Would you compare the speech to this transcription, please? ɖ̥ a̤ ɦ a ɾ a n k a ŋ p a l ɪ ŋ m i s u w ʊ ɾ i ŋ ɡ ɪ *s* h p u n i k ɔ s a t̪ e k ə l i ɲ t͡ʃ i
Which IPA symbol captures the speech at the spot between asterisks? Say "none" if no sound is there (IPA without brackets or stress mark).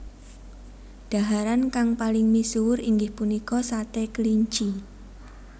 none